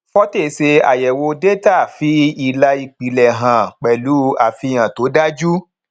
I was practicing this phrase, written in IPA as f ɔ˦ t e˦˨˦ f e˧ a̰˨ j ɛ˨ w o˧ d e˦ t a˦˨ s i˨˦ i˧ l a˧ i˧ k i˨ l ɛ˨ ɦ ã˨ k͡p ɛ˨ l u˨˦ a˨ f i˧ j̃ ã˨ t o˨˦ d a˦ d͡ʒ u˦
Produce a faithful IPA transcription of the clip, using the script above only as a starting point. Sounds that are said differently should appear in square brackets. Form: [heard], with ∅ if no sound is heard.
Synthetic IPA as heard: f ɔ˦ t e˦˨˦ [s] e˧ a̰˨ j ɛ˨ w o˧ d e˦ t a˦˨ [f] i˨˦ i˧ l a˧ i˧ [k͡p] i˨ l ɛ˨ ɦ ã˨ k͡p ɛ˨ l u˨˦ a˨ f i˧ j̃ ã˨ t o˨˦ d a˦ d͡ʒ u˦